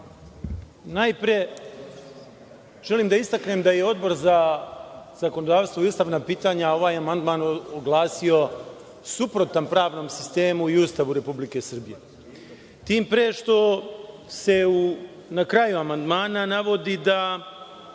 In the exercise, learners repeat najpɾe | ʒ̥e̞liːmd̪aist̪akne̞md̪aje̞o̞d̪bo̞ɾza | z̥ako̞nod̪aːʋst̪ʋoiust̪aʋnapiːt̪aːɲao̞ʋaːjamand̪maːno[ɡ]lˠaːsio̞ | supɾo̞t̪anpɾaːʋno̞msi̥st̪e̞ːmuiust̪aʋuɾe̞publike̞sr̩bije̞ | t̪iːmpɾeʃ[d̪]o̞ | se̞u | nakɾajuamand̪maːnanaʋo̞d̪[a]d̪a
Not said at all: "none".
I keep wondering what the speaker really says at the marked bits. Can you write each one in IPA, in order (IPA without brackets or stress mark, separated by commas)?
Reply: ɡ, t̪, i